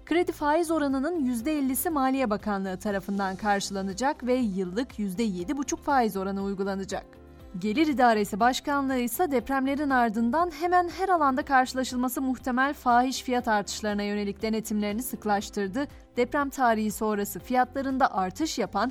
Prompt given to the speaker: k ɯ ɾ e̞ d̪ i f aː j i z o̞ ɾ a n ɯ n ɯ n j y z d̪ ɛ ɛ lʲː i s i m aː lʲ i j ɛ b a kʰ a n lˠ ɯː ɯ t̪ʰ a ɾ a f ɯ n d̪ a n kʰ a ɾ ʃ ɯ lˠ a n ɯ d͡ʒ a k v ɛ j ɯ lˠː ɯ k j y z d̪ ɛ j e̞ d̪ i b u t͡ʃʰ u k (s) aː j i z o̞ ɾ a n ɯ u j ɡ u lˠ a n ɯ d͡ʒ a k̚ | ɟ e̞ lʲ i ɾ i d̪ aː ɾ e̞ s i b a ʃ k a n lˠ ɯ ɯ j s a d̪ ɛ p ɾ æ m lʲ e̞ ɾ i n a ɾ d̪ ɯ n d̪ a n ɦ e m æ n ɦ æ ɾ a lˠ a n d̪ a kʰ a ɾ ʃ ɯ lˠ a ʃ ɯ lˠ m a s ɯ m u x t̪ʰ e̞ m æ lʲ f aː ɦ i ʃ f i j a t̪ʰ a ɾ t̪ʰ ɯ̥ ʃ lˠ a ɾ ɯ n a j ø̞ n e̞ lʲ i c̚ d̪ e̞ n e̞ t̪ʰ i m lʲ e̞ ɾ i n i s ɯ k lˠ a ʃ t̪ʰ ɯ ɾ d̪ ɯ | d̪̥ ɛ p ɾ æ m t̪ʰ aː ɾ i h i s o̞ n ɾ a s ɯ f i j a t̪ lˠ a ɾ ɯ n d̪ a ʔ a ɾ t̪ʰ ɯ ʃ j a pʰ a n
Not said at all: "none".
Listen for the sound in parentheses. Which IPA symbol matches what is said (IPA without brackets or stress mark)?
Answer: f